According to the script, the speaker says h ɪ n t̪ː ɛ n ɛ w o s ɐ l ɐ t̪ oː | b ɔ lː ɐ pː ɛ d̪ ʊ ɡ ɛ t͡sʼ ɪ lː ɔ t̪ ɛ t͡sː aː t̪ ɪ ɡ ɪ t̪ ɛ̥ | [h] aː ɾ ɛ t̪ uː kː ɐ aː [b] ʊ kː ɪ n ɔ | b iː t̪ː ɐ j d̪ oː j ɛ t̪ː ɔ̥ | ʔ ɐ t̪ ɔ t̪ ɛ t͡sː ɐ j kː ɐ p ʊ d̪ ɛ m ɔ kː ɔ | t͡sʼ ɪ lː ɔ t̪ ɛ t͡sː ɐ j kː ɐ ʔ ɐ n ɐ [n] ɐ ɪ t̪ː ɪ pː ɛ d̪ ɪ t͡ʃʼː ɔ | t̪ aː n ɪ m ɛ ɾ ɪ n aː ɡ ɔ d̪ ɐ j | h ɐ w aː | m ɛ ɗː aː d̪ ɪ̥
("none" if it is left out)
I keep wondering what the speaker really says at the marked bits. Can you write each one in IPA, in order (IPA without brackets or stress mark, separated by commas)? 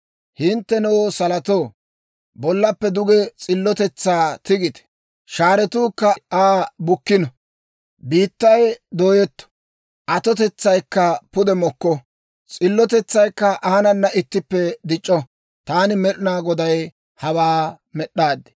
ʃ, b, nː